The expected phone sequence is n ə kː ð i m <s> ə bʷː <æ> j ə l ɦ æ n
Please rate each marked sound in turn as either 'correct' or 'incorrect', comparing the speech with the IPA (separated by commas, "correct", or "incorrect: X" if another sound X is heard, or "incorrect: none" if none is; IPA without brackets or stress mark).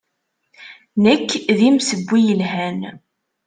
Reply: correct, incorrect: i